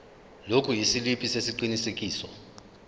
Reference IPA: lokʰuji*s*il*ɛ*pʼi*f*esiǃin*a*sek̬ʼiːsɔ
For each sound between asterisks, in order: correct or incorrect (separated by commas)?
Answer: correct, incorrect, incorrect, incorrect